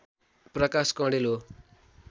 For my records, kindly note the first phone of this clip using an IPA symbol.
p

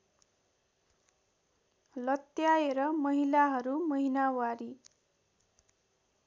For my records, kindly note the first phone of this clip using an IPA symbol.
l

